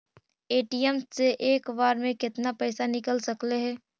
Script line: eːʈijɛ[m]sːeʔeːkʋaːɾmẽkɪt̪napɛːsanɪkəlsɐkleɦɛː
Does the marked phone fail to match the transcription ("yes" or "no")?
no